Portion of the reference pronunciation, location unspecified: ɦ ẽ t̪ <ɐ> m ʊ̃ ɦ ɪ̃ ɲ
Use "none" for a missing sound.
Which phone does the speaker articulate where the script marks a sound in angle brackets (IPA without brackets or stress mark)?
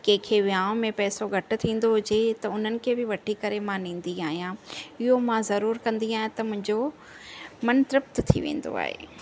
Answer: ɐ